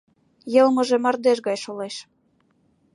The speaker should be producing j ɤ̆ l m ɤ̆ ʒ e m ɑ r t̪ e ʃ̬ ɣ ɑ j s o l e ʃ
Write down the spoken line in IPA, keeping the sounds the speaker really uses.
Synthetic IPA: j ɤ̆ l m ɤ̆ ʒ e m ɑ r d̪ e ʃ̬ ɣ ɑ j ʃ o l e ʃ